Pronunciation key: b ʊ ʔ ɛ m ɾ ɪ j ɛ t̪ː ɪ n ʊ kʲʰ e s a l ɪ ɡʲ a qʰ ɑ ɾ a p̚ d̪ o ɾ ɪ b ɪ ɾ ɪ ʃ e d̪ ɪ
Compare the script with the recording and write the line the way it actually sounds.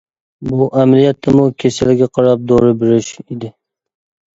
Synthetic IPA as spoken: b ʊ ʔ a m l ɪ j a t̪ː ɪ m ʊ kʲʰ e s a l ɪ ɡʲ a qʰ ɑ ɾ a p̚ d̪ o ɾ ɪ b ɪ ɾ ɪ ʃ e d̪ ɪ